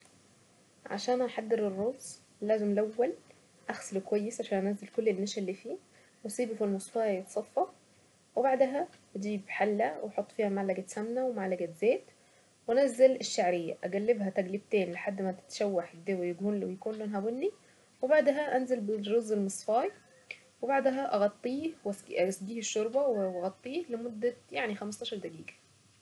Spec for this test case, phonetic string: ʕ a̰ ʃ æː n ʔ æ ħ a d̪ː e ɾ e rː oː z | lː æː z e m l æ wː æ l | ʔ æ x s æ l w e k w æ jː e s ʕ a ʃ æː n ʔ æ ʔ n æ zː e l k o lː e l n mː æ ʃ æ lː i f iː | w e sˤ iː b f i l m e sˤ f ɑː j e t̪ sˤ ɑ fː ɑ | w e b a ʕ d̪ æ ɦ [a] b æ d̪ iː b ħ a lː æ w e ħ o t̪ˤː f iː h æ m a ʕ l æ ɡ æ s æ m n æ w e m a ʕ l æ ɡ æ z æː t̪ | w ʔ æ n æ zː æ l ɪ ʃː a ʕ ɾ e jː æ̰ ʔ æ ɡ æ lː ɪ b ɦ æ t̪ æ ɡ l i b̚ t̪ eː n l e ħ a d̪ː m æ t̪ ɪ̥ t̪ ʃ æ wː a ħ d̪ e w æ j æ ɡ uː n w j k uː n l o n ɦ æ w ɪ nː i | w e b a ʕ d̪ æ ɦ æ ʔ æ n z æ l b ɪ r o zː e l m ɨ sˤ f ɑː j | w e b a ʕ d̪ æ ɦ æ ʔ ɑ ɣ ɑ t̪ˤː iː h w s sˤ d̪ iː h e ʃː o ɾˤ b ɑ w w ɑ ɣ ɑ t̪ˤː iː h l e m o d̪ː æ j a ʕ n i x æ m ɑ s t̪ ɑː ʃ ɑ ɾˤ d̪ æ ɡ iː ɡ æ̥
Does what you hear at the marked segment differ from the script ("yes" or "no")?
yes